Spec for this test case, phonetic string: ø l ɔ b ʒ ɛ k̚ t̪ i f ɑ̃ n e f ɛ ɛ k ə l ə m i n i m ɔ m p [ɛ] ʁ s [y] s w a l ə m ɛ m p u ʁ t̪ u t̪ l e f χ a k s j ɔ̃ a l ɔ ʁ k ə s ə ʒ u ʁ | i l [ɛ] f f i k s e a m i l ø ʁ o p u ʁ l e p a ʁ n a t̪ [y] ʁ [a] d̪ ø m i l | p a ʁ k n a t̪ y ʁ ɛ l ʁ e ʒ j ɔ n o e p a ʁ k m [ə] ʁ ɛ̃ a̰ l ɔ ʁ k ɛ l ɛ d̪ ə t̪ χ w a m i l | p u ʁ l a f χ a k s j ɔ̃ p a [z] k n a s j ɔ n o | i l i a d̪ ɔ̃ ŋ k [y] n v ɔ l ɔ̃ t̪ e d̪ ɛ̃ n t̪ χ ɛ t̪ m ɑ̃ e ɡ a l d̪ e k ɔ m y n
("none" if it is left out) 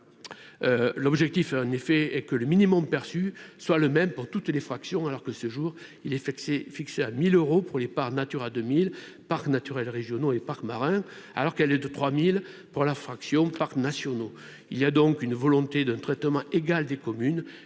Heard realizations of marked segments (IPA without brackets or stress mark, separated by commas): ɛ, y, ɛ, y, a, a, ʁ, y